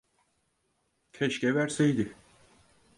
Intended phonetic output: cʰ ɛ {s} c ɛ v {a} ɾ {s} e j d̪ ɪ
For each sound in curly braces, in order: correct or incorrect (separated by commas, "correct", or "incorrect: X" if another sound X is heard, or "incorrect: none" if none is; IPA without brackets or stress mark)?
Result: incorrect: ʃ, incorrect: æ, correct